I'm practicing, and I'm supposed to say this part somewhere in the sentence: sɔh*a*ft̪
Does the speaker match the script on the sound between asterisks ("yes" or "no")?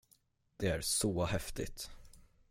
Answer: no